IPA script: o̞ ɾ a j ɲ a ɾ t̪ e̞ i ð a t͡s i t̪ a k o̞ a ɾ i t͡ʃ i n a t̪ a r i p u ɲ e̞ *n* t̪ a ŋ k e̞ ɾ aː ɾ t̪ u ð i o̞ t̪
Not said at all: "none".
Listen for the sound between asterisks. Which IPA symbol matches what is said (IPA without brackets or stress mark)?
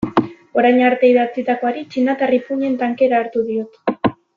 n